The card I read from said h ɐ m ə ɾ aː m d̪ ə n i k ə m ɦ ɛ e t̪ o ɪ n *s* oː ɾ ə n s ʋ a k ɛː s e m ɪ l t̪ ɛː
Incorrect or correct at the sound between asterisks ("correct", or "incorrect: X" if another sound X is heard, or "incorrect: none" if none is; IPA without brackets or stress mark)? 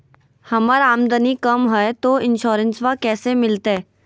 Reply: incorrect: ʃ